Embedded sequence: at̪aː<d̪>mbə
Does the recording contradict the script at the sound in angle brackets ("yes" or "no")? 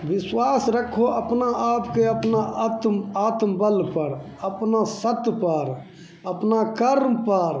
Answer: yes